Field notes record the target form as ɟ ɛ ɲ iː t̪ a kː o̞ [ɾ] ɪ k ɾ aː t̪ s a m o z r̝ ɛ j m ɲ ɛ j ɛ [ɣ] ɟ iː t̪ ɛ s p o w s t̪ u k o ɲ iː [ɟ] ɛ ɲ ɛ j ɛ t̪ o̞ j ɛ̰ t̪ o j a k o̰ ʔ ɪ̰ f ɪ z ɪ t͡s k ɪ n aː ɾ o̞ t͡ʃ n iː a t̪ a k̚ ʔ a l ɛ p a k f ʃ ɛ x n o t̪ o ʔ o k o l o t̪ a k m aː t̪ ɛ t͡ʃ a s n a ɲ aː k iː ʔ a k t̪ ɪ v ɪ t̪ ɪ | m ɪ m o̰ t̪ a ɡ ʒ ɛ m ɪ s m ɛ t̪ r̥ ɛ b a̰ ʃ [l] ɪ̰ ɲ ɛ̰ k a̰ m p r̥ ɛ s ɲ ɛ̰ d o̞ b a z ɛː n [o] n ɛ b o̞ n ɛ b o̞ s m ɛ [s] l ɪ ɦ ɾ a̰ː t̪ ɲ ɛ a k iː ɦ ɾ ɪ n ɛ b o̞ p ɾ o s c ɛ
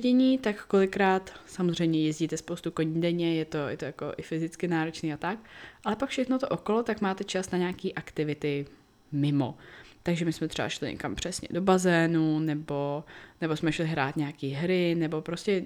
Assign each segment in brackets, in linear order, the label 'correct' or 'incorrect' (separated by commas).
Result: incorrect, incorrect, incorrect, correct, incorrect, incorrect